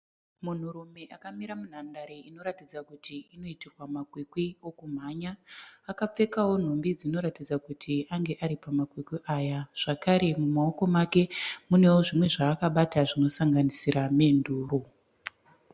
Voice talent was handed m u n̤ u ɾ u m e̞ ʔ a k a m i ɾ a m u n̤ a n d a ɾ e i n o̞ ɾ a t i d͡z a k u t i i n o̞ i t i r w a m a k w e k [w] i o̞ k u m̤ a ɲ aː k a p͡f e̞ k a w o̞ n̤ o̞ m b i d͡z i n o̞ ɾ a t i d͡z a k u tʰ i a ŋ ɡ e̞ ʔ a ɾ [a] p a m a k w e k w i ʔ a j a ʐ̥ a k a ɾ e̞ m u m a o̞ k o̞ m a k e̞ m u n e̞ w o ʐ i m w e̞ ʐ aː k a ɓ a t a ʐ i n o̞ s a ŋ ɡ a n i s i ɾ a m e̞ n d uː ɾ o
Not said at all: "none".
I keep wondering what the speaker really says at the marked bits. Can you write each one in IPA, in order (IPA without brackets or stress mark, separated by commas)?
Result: w, i